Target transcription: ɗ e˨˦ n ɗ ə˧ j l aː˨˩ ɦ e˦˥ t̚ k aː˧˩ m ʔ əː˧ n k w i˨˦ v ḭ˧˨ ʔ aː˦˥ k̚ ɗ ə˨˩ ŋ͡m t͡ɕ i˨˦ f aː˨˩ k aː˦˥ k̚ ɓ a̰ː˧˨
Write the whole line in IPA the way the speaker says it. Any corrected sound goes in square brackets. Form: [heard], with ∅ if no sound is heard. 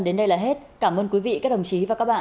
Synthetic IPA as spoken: ɗ e˨˦ n ɗ ə˧ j l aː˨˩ ɦ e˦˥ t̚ k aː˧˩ m ʔ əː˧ n k w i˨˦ v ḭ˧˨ [k] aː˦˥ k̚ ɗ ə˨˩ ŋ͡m t͡ɕ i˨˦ [v] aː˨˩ k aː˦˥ k̚ ɓ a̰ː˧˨